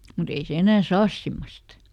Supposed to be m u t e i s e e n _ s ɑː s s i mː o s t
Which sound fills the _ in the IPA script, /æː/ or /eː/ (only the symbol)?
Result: æː